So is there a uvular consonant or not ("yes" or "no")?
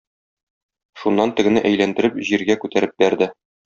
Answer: no